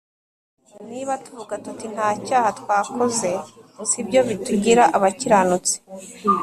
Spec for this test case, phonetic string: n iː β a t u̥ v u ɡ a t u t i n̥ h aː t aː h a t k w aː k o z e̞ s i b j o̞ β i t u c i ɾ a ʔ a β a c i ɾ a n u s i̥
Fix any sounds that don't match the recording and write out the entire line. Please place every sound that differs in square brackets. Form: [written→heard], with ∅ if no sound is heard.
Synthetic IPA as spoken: n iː β a t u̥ v u ɡ a t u t i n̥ h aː [t→c] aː h a t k w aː k o z e̞ s i b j o̞ β i t u [c→ɟ] i ɾ a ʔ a β a c i ɾ a n u [s→t͡s] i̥